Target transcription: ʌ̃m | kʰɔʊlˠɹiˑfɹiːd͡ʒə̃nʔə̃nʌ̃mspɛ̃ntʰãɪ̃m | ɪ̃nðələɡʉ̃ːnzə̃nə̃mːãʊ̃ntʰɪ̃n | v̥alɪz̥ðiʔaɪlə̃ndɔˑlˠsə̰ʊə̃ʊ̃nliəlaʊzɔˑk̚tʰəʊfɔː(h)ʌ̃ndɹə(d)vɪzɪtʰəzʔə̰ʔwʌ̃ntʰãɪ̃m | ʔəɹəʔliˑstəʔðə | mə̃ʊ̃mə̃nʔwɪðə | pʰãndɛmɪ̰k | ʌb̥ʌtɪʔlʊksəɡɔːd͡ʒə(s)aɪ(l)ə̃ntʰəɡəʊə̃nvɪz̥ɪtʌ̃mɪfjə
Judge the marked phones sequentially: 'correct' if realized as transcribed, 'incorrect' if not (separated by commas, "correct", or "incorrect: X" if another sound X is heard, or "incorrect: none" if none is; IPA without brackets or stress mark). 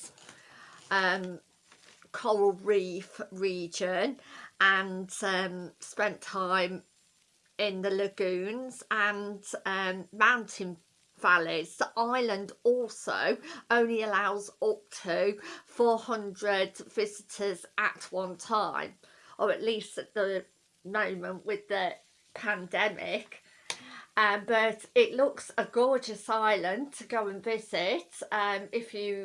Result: correct, correct, correct, correct